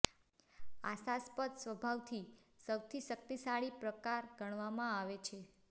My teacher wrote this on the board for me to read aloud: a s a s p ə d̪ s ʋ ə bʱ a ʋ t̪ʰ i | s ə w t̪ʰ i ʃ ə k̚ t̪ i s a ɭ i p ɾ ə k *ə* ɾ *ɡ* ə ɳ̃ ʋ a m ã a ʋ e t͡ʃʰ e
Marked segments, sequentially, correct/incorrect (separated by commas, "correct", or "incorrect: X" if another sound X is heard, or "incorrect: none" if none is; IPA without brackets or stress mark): incorrect: a, correct